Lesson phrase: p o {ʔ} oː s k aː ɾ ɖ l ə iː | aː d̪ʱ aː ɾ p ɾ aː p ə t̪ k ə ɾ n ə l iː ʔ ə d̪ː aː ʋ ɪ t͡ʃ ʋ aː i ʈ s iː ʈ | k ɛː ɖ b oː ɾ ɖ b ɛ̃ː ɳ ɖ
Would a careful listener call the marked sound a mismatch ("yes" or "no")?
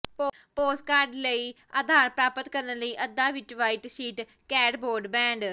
yes